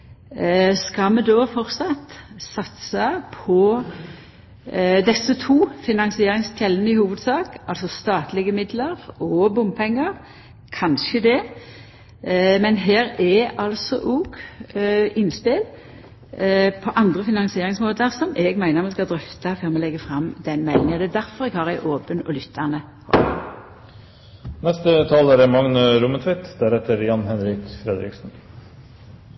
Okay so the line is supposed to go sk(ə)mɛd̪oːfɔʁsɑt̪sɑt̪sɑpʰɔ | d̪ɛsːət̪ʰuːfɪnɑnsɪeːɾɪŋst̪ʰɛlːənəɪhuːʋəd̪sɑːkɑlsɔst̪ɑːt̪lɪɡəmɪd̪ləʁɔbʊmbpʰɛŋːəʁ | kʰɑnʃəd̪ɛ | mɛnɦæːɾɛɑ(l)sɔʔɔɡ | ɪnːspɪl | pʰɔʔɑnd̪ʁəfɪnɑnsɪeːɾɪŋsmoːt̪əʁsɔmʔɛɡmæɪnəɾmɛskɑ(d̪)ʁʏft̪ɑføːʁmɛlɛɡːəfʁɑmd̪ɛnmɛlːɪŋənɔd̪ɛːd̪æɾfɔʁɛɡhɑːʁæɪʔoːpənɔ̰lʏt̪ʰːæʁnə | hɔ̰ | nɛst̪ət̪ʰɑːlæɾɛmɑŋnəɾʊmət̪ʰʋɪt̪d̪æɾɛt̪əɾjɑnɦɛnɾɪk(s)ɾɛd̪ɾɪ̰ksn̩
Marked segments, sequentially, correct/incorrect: incorrect, correct, correct, incorrect

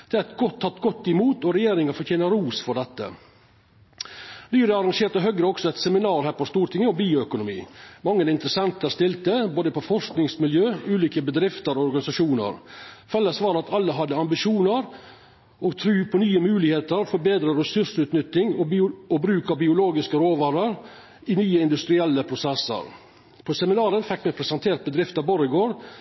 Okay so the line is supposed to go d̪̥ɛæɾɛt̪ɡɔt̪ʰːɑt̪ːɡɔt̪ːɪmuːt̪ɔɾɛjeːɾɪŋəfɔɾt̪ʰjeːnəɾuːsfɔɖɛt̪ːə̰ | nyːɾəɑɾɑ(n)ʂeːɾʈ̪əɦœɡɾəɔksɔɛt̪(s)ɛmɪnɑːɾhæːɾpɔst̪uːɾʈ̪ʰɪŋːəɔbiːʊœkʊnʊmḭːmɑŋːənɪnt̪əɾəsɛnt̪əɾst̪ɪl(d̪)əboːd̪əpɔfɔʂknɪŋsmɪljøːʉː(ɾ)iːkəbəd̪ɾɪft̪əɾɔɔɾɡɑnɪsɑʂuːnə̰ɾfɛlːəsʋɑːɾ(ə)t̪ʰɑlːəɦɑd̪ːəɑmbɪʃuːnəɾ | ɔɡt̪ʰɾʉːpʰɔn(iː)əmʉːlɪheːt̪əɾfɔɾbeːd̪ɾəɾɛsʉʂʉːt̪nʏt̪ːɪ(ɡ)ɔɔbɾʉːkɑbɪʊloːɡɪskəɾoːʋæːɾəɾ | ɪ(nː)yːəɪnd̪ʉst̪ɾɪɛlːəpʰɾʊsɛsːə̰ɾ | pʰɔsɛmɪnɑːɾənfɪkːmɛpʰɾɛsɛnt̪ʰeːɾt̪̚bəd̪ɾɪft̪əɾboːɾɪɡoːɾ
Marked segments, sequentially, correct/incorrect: incorrect, correct, incorrect, incorrect, incorrect, incorrect, incorrect, incorrect

